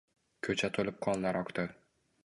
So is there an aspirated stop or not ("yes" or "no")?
yes